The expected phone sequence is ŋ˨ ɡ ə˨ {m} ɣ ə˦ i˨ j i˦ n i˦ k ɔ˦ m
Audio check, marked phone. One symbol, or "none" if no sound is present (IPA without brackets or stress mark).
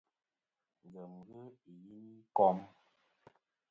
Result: m